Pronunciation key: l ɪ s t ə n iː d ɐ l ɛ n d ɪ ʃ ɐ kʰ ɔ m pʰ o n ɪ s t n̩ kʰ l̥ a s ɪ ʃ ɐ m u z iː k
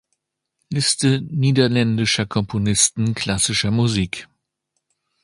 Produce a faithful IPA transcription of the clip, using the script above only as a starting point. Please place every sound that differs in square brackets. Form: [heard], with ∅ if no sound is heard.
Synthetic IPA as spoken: l ɪ s t ə n iː d ɐ l ɛ n d ɪ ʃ ɐ kʰ ɔ m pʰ o n ɪ s t n̩ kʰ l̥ a s ɪ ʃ ɐ m u z iː k

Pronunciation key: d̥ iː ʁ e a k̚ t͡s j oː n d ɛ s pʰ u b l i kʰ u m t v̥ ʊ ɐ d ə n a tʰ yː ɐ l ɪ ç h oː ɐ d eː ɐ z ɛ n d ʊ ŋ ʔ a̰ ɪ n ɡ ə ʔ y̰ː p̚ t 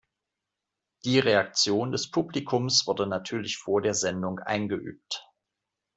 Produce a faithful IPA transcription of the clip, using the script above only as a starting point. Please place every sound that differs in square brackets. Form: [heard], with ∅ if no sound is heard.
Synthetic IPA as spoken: d̥ iː ʁ e a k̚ t͡s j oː n d ɛ s pʰ u b l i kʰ [ʊ] m [s] v̥ ʊ ɐ d ə n a tʰ yː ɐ l ɪ ç [f] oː ɐ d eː ɐ z ɛ n d ʊ ŋ ʔ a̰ ɪ n ɡ ə ʔ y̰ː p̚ t

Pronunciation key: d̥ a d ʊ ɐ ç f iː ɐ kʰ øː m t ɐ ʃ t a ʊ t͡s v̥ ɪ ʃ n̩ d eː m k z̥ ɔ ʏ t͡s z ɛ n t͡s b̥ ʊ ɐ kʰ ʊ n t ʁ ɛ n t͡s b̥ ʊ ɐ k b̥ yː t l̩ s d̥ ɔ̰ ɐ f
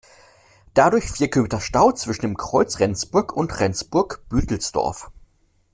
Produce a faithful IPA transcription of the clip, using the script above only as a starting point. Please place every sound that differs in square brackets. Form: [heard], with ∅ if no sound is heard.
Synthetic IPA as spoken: d̥ a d ʊ ɐ ç f iː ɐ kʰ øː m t ɐ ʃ t a ʊ t͡s v̥ ɪ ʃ n̩ d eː m k [ʁ̥] ɔ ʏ t͡s [ʁ] ɛ n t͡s b̥ ʊ ɐ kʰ ʊ n t ʁ ɛ n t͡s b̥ ʊ ɐ k b̥ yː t l̩ s d̥ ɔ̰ ɐ f

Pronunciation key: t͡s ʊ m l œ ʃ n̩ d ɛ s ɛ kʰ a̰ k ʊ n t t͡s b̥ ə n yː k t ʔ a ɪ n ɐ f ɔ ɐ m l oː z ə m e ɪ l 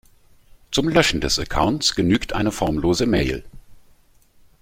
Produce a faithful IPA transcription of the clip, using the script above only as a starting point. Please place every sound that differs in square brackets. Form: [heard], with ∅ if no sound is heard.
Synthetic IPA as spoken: t͡s ʊ m l œ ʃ n̩ d ɛ s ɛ kʰ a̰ [∅] ʊ n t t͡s [ɡ̥] ə n yː k t ʔ a ɪ n [ə] f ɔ ɐ m l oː z ə m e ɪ l

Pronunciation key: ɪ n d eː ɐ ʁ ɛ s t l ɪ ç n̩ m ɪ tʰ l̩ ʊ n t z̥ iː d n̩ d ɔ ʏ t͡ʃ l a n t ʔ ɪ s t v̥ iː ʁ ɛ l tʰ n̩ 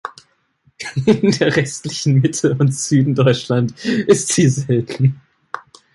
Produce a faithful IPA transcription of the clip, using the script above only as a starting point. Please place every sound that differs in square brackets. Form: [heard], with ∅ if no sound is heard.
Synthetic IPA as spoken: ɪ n d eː ɐ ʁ ɛ s t l ɪ ç n̩ m ɪ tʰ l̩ ʊ n t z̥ [yː] d n̩ d ɔ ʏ t͡ʃ l a n t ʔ ɪ s t [z̥] iː [z] ɛ l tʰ n̩

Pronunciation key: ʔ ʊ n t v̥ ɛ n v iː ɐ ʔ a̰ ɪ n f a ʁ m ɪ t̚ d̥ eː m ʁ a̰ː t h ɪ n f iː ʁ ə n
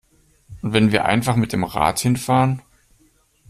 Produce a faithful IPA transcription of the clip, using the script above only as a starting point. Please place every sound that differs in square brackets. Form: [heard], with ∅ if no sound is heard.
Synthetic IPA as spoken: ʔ ʊ n t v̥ ɛ n v iː ɐ ʔ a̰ ɪ n f a [χ] m ɪ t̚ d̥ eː m ʁ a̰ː t h ɪ n f [aː] ʁ ə n

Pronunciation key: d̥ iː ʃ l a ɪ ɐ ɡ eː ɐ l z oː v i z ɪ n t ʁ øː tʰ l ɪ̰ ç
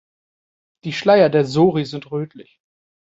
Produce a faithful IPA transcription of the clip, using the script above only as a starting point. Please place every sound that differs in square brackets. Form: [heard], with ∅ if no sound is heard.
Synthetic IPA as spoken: d̥ iː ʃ l a ɪ ɐ [d] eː ɐ [∅] z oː [ʁ] i z ɪ n t ʁ øː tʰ l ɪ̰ ç

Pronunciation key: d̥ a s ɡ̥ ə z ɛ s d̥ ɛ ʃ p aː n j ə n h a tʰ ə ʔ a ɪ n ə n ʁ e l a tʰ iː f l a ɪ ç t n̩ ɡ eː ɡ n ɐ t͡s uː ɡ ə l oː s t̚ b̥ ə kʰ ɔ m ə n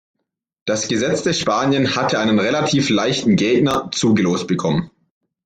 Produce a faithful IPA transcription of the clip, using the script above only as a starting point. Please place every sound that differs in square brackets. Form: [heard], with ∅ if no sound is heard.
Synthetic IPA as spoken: d̥ a s ɡ̥ ə z ɛ [t͡s] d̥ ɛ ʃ p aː n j ə n h a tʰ ə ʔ a ɪ n ə n ʁ e l a tʰ iː f l a ɪ ç t n̩ ɡ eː ɡ n ɐ t͡s uː ɡ ə l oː s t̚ b̥ ə kʰ ɔ m ə n

